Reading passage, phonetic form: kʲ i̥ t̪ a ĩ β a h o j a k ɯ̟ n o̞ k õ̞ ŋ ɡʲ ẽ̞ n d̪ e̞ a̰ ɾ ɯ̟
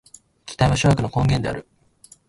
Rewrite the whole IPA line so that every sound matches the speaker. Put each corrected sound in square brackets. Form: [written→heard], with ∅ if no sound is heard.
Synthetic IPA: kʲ i̥ t̪ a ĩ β a [h→ɕ] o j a k ɯ̟ n o̞ k õ̞ ŋ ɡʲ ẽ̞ n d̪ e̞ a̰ ɾ ɯ̟